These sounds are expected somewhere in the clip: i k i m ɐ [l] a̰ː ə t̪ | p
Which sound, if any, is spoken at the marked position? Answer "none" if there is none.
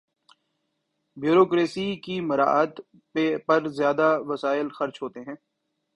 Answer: ɾ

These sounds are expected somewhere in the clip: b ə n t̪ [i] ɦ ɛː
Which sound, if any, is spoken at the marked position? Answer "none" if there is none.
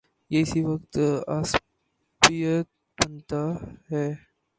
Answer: a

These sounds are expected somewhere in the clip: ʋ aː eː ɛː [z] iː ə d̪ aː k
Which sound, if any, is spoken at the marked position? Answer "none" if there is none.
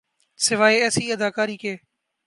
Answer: s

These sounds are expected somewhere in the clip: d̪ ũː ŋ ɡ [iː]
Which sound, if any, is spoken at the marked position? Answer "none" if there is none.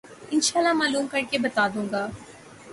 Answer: aː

